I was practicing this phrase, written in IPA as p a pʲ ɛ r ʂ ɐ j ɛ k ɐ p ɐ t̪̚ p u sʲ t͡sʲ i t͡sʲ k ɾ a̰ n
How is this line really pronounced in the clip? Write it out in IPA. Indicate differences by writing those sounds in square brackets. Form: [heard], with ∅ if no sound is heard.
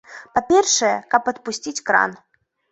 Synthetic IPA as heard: p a pʲ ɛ r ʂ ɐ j ɛ k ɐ p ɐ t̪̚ p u sʲ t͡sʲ i t͡sʲ k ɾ a̰ n